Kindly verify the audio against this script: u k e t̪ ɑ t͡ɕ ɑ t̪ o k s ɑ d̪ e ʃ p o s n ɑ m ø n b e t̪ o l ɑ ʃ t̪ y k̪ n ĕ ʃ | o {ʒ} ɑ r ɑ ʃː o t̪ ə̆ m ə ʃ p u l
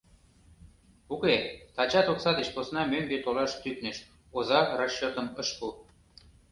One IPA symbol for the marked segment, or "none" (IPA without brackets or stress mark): z